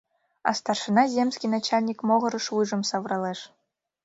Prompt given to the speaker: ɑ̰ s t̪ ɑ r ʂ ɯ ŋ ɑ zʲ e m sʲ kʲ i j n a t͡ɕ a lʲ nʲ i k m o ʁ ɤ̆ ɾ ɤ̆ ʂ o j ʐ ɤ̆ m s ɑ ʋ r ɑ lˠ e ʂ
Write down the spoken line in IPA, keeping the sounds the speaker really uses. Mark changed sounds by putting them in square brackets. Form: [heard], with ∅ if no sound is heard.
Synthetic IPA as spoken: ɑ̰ s t̪ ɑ r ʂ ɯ [n] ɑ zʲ e m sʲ kʲ i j n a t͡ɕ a lʲ nʲ i k m o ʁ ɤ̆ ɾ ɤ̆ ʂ [u] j ʐ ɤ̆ m s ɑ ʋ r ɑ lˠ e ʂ